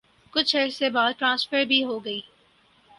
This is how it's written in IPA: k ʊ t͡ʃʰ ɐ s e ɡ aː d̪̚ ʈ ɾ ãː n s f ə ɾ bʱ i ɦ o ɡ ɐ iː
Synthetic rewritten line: k ʊ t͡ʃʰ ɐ s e b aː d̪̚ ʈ ɾ ãː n s f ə ɾ bʱ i ɦ o ɡ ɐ iː

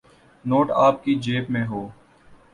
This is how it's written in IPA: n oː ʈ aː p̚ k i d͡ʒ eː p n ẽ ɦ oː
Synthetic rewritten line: n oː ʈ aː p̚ k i d͡ʒ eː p m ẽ ɦ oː

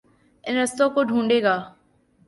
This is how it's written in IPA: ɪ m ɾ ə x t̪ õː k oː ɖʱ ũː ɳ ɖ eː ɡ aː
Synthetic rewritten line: ɪ n ɾ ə s t̪ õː k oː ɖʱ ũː ɳ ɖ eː ɡ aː

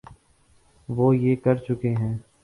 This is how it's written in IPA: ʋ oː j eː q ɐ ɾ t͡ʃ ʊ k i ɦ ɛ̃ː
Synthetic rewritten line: ʋ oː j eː k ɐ ɾ t͡ʃ ʊ k e ɦ ɛ̃ː

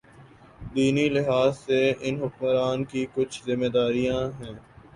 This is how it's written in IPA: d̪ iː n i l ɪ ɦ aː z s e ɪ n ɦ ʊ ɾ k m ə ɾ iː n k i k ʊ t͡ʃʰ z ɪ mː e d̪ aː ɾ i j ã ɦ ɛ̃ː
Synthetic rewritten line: d̪ iː n i l ɪ ɦ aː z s e ɪ n ɦ ʊ k m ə ɾ aː n k i k ʊ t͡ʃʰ z ɪ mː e d̪ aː ɾ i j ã ɦ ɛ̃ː

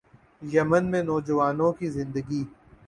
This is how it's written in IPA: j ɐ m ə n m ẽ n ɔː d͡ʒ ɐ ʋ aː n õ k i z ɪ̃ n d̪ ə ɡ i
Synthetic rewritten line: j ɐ m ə n m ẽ n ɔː d͡ʒ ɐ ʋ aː n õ k i z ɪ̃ n d̪ ə ɡ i

